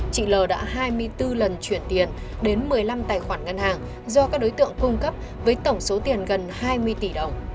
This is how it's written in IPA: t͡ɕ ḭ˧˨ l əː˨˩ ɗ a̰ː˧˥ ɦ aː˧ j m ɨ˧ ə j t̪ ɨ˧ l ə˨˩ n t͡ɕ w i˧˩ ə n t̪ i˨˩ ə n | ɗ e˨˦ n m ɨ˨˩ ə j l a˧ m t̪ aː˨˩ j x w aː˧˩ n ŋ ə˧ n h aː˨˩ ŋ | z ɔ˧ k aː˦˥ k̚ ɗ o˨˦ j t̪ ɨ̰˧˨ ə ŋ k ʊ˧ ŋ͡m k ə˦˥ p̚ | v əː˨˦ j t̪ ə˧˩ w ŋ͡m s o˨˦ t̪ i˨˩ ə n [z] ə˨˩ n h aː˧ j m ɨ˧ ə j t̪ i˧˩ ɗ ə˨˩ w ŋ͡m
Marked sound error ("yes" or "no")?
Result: yes